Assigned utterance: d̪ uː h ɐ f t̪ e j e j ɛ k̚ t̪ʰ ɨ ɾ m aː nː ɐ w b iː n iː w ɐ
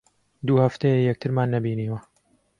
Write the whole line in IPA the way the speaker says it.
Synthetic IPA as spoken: d̪ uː h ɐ f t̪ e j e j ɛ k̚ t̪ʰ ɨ ɾ m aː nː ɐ b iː n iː w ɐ